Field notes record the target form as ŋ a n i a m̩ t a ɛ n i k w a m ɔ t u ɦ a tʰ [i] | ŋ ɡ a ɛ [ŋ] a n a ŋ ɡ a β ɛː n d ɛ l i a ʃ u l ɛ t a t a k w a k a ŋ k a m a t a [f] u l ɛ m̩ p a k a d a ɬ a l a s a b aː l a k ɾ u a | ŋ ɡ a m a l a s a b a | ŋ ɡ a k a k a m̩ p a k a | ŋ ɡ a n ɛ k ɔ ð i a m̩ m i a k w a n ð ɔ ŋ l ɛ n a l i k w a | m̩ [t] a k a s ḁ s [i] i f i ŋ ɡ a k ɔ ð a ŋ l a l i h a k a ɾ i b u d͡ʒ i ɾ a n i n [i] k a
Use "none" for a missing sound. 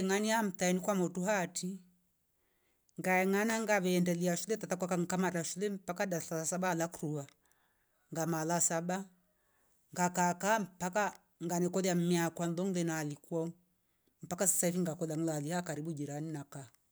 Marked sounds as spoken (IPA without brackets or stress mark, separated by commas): i, ŋ, ʃ, p, a, a